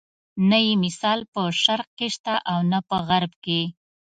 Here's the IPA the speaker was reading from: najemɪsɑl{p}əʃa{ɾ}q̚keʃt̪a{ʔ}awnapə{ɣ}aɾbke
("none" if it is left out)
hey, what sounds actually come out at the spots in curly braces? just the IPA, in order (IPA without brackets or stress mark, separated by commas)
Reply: p, ɾ, ʔ, ɣ